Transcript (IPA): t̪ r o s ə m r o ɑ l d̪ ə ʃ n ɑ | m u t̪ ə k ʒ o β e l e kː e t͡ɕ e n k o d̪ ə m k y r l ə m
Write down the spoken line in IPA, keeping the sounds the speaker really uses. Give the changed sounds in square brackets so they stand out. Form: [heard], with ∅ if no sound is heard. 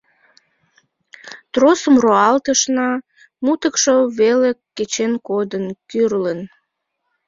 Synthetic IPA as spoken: t̪ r o s ə m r o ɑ l [t̪] ə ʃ n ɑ | m u t̪ ə k [ʃ] o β e l e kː e t͡ɕ e n k o d̪ ə [n] k y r l ə [n]